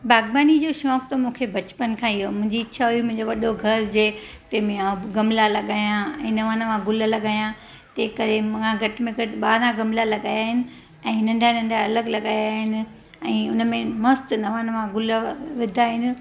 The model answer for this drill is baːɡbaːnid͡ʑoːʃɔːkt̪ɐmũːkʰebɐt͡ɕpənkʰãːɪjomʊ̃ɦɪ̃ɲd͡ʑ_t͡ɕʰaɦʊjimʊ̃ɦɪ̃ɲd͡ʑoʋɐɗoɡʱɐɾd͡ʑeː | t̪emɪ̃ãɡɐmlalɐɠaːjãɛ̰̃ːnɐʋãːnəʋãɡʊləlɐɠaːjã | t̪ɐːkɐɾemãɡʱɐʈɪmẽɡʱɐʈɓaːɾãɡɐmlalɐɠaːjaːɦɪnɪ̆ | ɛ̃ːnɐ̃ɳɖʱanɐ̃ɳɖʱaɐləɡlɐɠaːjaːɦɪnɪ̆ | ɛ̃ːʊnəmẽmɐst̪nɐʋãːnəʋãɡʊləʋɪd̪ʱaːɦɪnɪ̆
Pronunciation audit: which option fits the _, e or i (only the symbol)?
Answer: i